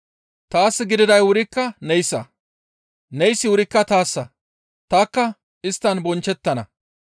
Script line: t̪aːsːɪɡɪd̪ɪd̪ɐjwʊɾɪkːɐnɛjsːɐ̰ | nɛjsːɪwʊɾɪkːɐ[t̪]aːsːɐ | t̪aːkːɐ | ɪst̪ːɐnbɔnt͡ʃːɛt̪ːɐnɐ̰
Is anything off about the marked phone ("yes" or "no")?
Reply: no